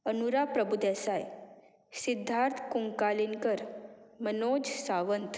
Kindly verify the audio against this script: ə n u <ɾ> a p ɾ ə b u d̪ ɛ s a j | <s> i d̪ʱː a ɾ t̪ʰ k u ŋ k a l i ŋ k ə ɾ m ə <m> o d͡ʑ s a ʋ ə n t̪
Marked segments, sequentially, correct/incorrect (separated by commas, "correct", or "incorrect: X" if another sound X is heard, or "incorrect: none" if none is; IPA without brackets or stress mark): correct, correct, incorrect: n